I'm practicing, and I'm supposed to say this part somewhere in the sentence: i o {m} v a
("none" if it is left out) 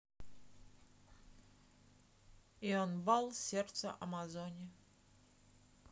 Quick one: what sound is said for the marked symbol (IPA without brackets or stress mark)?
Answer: n